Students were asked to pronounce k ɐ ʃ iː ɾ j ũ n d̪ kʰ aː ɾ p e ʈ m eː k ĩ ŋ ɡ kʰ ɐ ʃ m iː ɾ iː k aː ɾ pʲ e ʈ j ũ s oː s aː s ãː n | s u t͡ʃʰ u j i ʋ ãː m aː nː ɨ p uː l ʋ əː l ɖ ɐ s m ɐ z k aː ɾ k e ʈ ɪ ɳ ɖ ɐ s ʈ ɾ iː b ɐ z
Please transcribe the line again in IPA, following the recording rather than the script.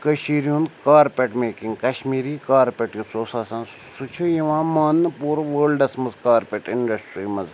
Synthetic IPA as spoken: k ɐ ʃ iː ɾ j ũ n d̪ k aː ɾ p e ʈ m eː k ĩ ŋ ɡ k ɐ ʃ m iː ɾ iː k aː ɾ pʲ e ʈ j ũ s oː s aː s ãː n | s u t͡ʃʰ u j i ʋ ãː m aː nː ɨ p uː ɾ ʋ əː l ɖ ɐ s m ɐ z k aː ɾ p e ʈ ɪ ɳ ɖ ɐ s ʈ ɾ iː m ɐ z